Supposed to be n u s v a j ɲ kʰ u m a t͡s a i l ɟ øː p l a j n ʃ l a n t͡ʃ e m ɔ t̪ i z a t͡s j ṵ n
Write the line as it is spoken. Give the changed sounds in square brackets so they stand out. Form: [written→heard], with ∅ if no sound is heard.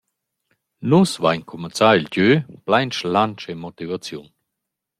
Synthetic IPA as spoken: n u s v a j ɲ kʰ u m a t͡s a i l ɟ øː p l a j n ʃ l a n t͡ʃ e m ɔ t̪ i [z→v] a t͡s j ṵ n